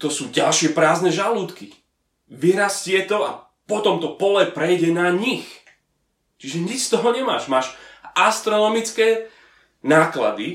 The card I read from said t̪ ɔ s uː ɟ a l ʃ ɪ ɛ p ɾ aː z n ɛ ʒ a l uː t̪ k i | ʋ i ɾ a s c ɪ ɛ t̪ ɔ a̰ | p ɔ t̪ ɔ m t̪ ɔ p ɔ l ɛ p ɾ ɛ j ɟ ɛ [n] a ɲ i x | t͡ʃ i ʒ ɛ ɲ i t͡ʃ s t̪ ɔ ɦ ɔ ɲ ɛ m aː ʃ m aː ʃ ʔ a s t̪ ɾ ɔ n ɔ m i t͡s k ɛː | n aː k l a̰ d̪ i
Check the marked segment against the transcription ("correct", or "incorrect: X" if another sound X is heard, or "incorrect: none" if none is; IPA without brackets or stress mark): correct